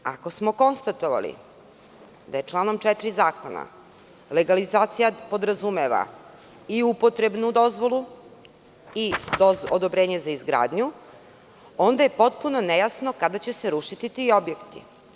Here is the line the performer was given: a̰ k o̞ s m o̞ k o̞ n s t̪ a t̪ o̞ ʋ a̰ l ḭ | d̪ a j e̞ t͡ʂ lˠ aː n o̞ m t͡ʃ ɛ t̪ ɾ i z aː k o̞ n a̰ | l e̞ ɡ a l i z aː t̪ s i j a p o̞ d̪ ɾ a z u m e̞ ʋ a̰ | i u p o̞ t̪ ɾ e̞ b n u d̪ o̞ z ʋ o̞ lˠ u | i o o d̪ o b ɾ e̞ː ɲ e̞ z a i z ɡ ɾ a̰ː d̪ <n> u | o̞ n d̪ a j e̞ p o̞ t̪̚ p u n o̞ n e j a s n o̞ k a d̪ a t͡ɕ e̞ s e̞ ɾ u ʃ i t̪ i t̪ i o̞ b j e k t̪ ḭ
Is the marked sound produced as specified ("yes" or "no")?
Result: no